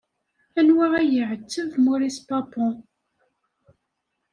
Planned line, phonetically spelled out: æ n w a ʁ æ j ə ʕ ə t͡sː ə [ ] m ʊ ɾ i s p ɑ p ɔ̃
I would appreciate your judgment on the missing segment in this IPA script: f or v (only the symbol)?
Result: v